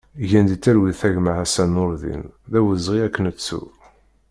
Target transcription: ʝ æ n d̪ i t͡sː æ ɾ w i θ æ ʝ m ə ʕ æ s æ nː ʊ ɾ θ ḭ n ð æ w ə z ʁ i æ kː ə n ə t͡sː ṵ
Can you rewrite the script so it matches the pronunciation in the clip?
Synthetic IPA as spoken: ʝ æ n d̪ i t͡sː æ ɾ w i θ æ ʝ m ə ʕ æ s æ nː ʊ ɾ ð ḭ n ð æ w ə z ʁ i æ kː ə n ə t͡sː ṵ